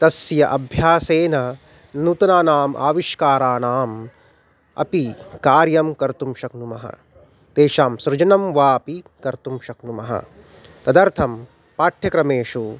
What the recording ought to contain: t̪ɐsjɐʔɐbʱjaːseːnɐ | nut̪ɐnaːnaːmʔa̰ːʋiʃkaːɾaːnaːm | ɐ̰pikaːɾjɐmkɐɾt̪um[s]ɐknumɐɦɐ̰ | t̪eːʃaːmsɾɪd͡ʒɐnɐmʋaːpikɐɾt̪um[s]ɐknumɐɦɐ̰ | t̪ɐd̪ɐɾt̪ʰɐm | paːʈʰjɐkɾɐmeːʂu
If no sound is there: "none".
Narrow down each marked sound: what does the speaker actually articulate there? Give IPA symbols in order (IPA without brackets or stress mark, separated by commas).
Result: ʃ, ʃ